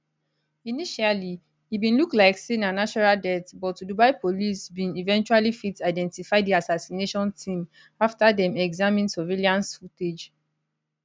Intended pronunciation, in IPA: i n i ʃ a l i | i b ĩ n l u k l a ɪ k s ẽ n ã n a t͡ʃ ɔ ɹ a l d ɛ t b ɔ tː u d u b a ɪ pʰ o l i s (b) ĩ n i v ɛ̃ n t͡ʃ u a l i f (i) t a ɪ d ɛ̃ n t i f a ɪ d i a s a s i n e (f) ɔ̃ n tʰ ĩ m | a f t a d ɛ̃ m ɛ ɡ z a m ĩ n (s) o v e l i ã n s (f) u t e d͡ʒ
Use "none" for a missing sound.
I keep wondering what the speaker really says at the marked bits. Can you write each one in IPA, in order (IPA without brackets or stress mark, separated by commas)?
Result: b, i, ʃ, s, f